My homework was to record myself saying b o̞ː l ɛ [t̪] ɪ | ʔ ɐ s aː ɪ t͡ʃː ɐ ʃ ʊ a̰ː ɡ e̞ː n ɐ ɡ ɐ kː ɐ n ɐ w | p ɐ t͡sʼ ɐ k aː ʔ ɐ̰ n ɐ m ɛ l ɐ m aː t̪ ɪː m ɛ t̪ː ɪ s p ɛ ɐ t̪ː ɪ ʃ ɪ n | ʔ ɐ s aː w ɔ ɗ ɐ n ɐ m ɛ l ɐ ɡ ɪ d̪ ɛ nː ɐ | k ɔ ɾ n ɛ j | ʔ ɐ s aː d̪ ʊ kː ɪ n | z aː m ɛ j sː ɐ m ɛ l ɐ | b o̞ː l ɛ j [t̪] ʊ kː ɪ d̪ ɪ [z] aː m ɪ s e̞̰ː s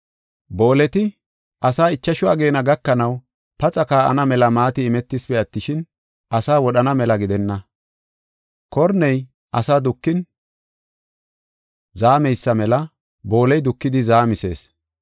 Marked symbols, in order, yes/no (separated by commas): yes, no, yes